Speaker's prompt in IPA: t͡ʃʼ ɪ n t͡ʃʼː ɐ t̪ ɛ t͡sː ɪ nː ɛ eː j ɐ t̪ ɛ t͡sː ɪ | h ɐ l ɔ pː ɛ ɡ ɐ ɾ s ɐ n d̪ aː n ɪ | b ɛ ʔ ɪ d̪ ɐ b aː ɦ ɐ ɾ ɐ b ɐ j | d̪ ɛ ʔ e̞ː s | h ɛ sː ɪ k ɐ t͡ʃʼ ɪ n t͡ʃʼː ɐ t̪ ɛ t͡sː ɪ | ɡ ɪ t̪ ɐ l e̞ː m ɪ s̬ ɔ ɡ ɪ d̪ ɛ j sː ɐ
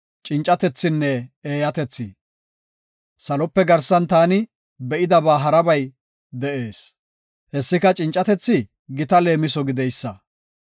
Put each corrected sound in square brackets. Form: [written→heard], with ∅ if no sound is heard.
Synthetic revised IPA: t͡ʃʼ ɪ n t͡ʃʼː ɐ t̪ ɛ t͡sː ɪ nː ɛ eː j ɐ t̪ ɛ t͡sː ɪ | [h→s] ɐ l ɔ pː ɛ ɡ ɐ ɾ s ɐ n [d̪→t̪] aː n ɪ | b ɛ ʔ ɪ d̪ ɐ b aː ɦ ɐ ɾ ɐ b ɐ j | d̪ ɛ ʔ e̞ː s | h ɛ sː ɪ k ɐ t͡ʃʼ ɪ n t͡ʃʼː ɐ t̪ ɛ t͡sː ɪ | ɡ ɪ t̪ ɐ l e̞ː m ɪ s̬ ɔ ɡ ɪ d̪ ɛ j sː ɐ